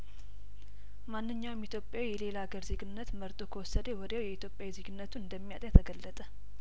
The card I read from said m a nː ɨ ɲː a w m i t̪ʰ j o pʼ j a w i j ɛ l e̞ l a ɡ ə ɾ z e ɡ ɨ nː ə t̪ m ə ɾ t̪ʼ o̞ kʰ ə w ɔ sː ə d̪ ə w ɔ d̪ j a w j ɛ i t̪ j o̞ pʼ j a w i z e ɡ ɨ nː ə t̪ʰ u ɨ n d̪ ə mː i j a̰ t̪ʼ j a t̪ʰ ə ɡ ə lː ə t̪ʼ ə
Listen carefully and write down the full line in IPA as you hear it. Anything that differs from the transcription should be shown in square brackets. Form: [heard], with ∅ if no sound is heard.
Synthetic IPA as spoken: m a nː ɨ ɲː a w m i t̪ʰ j o pʼ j a w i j ɛ l e̞ l a ɡ ə ɾ z e ɡ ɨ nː ə t̪ m ə ɾ t̪ʼ o̞ kʰ ə w ɔ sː ə d̪ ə w ɔ d̪ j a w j ɛ i t̪ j o̞ pʼ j a w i z e ɡ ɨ nː ə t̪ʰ u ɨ n d̪ ə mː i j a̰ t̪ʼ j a t̪ʰ ə ɡ ə lː ə t̪ʼ ə